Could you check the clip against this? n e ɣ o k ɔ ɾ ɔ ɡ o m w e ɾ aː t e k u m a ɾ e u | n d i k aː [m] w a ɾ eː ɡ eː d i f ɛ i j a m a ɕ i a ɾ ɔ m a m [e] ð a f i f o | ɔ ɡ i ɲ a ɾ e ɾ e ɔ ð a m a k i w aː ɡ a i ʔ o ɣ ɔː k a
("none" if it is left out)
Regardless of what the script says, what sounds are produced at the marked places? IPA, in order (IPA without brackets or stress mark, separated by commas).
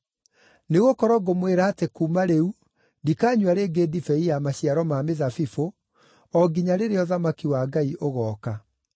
ɲ, e